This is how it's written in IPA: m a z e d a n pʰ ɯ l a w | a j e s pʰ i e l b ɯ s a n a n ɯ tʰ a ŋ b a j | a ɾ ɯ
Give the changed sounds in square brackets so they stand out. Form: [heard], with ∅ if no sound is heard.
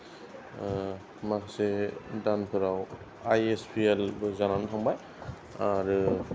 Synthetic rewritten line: m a [s] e d a n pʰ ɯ [ɾ] a w | a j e s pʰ i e l b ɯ [z] a n a n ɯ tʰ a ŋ b a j | a ɾ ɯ

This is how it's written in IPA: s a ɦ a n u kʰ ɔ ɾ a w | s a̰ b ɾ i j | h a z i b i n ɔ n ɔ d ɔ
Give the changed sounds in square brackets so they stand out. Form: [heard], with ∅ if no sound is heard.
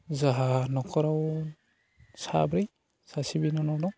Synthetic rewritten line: [z] a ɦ a n [ɔ] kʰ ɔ ɾ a w | s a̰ b ɾ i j | [s] a [s] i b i n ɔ n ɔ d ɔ

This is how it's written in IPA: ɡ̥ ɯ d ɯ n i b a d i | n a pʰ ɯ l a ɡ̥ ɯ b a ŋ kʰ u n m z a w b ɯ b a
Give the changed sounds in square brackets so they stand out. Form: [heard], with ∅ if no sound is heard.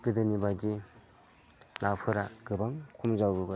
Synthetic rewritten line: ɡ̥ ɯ d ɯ n i b a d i | n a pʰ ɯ [ɾ] a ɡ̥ ɯ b a ŋ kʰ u [∅] m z a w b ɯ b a

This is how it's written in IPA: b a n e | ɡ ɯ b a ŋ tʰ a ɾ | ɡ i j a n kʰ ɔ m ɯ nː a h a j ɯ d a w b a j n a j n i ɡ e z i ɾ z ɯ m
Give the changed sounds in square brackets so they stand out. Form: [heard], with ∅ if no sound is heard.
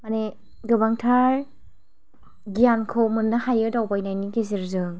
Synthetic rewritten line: [m] a n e | ɡ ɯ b a ŋ tʰ a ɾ | ɡ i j a n kʰ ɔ m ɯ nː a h a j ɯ d a w b a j n a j n i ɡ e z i ɾ z ɯ [ŋ]

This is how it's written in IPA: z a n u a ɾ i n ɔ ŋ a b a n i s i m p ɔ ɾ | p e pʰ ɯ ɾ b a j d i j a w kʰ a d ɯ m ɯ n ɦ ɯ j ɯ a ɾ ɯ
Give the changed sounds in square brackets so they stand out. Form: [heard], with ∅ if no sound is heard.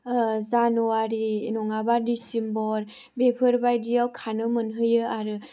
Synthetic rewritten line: z a n u a ɾ i n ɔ ŋ a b a [d] i s i m [b] ɔ ɾ | [b] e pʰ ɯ ɾ b a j d i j a w kʰ a [n] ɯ m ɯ n ɦ ɯ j ɯ a ɾ ɯ

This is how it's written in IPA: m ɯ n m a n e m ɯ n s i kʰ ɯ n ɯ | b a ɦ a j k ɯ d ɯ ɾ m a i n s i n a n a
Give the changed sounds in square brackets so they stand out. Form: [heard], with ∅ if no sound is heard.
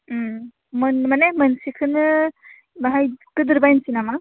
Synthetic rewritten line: m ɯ n m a n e m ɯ n s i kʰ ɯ n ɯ | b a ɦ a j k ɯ d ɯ ɾ [b] a [j] n s i n a [m] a

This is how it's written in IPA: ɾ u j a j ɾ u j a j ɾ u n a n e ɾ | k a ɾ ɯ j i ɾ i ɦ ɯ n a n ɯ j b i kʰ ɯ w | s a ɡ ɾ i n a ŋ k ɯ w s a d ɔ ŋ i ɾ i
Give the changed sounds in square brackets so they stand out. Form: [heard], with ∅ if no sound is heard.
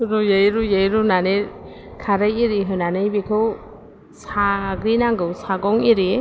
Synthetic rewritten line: ɾ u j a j ɾ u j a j ɾ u n a n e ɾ | [kʰ] a ɾ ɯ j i ɾ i ɦ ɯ n a n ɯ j b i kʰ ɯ w | s a ɡ ɾ i n a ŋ [ɡ] ɯ w s a [ɡ] ɔ ŋ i ɾ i

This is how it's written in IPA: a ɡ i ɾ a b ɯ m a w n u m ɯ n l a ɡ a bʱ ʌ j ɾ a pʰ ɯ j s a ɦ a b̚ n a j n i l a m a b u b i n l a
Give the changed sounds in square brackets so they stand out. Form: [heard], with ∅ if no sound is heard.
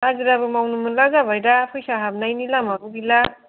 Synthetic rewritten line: a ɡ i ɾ a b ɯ m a w n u m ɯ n l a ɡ a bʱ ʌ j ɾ a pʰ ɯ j s a ɦ a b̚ n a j n i l a m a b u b i [∅] l a

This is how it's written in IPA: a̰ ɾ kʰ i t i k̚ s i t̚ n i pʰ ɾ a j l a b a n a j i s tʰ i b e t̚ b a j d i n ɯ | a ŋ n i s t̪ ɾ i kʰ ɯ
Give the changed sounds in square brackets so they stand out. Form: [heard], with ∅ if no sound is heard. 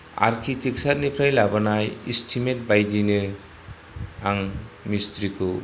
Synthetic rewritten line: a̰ ɾ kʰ i t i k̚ s [a] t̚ n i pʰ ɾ a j l a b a n a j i s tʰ i [m] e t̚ b a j d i n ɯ | a ŋ [m] i s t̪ ɾ i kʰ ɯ

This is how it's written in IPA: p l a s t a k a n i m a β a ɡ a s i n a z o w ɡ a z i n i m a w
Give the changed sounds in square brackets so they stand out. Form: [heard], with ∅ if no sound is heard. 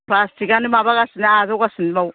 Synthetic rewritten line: p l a s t [i] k a n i m a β a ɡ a s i n a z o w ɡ a [s] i n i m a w

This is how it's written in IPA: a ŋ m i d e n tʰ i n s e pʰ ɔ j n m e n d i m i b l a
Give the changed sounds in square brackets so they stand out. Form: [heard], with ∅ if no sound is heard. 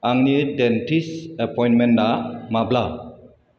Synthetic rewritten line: a ŋ [n] i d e n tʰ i [∅] s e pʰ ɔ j n m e n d [a] m [a] b l a

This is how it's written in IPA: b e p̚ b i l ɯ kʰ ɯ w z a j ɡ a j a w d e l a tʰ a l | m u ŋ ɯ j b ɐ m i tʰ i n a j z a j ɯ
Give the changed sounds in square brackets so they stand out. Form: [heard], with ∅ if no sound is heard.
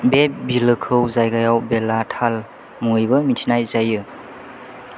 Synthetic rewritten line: b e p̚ b i l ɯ kʰ ɯ w z a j ɡ a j a w [b] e l a tʰ a l | m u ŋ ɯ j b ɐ m i tʰ i n a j z a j ɯ

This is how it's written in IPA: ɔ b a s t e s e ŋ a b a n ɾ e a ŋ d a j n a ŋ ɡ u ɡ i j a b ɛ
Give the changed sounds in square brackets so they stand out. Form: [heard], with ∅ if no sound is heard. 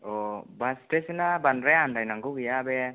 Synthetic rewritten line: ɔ b a s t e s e [n] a b a n ɾ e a [n] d a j n a ŋ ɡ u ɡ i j a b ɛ

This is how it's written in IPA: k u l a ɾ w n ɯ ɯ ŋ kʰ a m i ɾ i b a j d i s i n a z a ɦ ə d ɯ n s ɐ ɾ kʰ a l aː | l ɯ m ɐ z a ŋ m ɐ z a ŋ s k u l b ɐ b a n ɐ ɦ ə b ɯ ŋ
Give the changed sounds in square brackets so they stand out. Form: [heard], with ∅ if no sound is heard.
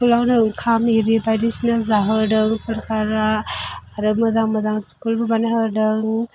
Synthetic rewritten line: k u l a [∅] w n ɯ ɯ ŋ kʰ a m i ɾ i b a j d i s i n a z a ɦ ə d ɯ [ŋ] s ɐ ɾ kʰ a [ɾ] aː | [ɾ] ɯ m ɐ z a ŋ m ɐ z a ŋ s k u l b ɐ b a n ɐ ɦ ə [d] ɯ ŋ

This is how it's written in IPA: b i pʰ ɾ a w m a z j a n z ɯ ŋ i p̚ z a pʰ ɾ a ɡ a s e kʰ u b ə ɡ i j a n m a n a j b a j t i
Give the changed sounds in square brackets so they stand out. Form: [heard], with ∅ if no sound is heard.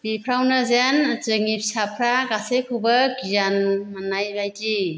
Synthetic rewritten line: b i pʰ ɾ a w [n] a z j a n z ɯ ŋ i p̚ [s] a pʰ ɾ a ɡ a s e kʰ u b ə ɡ i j a n m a n a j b a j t i

